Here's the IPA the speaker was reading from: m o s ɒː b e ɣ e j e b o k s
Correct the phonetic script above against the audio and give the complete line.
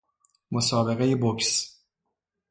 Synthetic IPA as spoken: m o s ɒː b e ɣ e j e b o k s